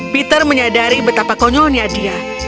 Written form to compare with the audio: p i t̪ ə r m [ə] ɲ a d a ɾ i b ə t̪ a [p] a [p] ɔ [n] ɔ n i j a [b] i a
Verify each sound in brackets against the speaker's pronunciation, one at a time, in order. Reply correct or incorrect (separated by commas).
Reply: correct, correct, incorrect, incorrect, incorrect